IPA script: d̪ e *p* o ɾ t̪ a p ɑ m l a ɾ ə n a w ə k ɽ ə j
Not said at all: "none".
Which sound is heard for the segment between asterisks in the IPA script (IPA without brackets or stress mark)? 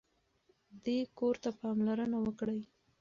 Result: k